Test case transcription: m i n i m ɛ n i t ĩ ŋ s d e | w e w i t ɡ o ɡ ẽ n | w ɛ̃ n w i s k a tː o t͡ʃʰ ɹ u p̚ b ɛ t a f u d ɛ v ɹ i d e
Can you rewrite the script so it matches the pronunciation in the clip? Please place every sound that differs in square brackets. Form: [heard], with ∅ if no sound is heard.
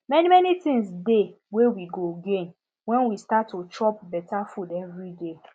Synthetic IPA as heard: m [ɛ] n i m ɛ n i t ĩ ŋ s d e | w e w i [∅] ɡ o ɡ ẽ n | w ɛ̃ n w i s [t] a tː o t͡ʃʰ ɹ [ɔ] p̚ b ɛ t a f u d ɛ v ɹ i d e